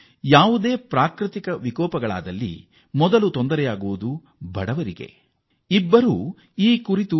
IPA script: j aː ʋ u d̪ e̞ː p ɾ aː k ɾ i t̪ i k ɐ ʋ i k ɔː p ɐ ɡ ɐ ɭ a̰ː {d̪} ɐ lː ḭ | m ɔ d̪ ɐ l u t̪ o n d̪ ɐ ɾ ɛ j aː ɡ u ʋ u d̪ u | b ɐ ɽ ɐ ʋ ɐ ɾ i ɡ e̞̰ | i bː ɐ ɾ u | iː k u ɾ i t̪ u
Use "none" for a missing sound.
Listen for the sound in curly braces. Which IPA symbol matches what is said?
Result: d̪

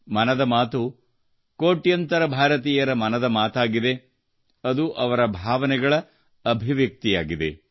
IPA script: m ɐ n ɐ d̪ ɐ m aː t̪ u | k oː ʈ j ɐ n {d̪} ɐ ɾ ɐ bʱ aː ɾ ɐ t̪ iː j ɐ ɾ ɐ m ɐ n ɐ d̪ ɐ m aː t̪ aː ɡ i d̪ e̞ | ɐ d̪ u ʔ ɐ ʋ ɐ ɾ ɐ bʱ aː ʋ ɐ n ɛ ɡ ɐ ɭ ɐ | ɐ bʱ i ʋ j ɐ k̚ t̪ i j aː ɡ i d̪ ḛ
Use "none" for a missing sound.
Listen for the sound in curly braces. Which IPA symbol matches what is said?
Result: t̪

